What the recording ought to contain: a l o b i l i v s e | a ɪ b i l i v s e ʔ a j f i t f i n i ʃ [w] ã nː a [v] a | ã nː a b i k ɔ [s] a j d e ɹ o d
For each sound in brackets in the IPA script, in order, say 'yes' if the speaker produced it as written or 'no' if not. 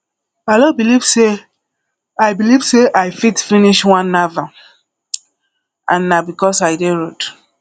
yes, yes, yes

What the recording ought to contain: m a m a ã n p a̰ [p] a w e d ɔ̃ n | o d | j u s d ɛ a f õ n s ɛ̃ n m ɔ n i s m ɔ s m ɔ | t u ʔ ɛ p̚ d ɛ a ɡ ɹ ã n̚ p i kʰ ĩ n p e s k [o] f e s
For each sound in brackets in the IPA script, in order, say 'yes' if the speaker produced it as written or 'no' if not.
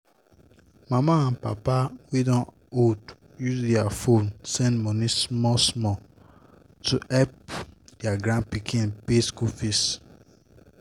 yes, no

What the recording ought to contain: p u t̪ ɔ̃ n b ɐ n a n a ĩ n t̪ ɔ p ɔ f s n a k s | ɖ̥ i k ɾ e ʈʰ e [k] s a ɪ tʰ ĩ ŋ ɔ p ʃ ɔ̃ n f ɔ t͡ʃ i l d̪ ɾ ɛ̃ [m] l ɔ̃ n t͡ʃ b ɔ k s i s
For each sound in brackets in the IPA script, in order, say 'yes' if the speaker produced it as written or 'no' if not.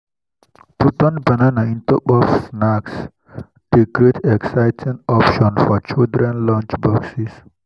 yes, no

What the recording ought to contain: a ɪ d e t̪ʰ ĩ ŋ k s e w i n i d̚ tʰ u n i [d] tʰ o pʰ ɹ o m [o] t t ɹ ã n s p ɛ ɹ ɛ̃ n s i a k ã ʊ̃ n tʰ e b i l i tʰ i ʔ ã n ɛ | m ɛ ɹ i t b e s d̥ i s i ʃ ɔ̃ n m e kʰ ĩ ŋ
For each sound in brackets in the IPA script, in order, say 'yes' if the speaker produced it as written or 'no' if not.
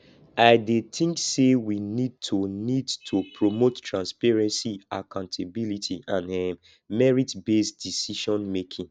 yes, yes

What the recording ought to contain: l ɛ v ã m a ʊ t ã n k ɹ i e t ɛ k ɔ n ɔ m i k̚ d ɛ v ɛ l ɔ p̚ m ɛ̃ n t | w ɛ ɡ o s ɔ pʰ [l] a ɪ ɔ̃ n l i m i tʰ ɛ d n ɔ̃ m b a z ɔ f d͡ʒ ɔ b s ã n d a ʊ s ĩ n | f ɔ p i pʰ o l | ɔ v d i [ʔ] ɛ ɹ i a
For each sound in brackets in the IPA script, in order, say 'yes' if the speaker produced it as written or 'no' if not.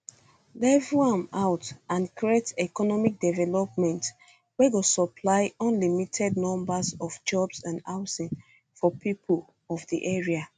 yes, yes

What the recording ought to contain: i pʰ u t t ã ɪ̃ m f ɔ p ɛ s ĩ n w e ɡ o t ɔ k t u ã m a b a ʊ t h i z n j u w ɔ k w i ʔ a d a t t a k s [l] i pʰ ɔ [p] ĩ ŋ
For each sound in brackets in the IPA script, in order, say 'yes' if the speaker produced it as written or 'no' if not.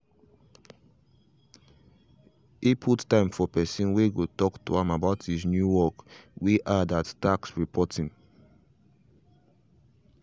no, no

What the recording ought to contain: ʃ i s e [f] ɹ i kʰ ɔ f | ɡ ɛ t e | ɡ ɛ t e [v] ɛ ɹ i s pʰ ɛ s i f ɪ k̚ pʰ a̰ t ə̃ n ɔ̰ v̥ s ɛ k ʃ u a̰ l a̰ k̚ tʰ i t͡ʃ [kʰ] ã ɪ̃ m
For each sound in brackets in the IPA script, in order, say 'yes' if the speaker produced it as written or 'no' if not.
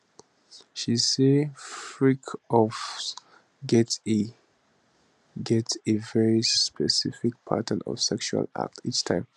yes, yes, no

